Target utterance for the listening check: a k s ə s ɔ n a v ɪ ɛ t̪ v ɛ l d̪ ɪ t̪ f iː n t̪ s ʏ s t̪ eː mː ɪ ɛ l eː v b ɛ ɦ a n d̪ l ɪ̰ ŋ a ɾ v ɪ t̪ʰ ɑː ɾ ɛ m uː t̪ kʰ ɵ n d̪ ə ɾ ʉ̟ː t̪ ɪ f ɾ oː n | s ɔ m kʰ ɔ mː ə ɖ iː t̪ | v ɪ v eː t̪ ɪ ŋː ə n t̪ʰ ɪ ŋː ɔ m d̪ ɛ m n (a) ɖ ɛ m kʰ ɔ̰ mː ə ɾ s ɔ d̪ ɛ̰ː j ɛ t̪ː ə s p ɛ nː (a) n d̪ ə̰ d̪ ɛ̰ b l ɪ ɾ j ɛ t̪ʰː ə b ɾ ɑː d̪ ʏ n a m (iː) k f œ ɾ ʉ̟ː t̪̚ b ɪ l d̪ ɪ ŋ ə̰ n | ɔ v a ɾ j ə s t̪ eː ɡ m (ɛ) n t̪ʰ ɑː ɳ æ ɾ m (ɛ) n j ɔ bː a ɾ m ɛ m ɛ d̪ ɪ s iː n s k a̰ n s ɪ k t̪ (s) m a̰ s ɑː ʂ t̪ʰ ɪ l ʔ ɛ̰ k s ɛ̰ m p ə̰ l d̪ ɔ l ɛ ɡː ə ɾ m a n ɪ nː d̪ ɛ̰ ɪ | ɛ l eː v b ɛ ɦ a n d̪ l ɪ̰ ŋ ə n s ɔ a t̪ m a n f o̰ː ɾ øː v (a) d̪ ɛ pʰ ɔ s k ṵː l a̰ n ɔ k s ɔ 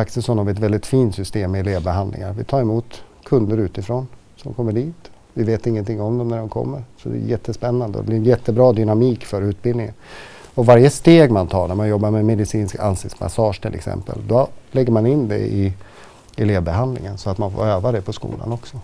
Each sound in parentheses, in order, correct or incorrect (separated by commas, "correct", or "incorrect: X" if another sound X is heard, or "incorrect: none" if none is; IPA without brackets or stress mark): incorrect: æ, correct, correct, incorrect: a, incorrect: a, correct, correct